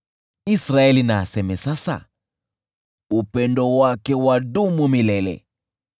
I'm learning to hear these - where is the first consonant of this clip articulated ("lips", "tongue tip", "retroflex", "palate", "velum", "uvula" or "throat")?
tongue tip